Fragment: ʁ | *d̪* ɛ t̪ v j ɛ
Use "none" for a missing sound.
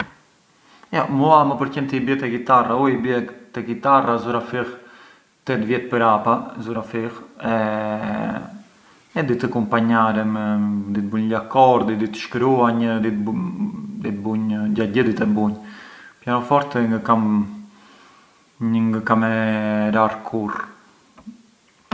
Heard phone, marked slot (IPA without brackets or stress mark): t̪